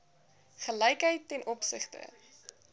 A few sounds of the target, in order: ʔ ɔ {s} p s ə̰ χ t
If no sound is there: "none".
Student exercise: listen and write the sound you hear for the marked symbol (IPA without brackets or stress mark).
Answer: none